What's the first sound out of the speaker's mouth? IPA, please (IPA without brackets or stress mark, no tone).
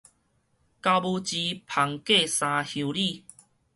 k